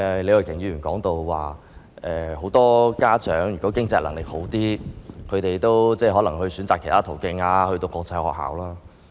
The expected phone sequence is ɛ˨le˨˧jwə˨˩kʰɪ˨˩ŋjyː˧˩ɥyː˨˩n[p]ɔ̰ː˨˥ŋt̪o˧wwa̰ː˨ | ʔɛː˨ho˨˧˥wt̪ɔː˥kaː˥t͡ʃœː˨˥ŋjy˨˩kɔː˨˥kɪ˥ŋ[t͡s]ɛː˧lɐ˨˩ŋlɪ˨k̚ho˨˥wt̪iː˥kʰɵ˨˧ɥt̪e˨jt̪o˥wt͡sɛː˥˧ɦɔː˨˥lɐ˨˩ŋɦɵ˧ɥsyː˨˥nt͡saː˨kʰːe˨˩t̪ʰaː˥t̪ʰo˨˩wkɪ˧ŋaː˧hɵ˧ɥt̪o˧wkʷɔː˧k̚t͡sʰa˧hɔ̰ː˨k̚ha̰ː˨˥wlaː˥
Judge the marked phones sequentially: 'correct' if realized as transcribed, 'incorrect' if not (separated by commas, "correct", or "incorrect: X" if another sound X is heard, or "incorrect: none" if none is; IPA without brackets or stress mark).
incorrect: k, correct